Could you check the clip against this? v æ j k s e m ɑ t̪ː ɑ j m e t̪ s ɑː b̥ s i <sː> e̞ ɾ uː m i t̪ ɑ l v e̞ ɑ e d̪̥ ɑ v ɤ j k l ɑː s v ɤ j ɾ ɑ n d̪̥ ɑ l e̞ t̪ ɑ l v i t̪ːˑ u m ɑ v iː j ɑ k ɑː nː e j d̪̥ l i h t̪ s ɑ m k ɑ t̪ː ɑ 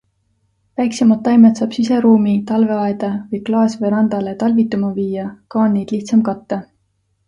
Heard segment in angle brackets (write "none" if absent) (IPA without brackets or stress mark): s